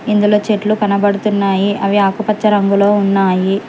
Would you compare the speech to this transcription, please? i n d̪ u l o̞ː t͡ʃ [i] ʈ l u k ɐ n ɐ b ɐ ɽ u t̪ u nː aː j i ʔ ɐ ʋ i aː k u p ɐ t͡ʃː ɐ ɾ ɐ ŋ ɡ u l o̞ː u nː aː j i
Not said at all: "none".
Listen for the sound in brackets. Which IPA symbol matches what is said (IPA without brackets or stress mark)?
e